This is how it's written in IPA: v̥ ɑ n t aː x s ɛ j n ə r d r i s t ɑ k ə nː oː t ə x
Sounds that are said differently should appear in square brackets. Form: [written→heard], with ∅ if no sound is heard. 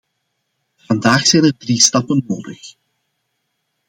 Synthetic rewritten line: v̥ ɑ n [t→d] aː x s ɛ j n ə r d r i s t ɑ [k→p] ə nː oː [t→d] ə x